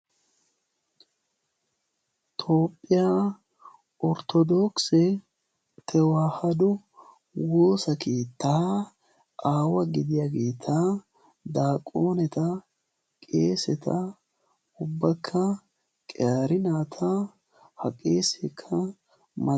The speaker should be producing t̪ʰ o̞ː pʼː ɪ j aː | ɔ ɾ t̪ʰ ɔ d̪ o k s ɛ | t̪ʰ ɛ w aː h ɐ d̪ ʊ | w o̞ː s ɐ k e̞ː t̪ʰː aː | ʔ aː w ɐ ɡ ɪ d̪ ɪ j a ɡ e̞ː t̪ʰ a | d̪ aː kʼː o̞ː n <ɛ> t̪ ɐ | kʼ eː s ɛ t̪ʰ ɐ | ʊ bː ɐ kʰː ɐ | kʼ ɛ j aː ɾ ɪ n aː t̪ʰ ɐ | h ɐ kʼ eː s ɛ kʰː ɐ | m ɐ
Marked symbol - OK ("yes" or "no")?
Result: yes